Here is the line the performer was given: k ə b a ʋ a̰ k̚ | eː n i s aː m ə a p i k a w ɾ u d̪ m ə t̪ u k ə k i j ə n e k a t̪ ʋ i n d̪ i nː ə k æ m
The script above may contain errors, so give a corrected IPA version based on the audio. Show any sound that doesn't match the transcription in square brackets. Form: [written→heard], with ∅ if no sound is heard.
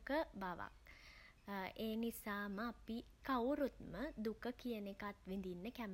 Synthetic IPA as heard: k ə b a ʋ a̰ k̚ | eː n i s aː m ə a p i k a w ɾ u [d̪→t̪] m ə [t̪→d̪] u k ə k i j ə n e k a t̪ ʋ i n d̪ i nː ə k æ m